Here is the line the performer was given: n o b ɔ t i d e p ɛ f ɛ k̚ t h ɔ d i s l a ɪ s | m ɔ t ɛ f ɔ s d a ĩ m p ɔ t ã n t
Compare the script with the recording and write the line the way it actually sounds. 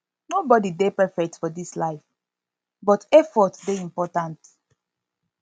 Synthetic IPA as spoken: n o b ɔ d i d e p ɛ f ɛ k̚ t f ɔ d i s l a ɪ f | b ɔ t ɛ f ɔ t d e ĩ m p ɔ t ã n t